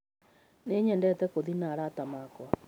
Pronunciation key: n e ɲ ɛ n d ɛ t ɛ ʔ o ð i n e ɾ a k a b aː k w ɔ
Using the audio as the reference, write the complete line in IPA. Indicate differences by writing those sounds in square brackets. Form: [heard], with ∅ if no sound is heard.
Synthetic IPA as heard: n e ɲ ɛ n d ɛ t ɛ [k] o ð i n [a] ɾ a [t] a [m] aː k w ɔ